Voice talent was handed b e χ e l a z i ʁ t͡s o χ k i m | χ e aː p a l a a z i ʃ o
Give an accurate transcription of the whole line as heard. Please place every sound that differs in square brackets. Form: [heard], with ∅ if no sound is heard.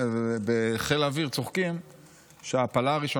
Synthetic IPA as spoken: b e χ e l a [v] i ʁ t͡s o χ k i m | [ʃ] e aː p a l a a [ʁ] i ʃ o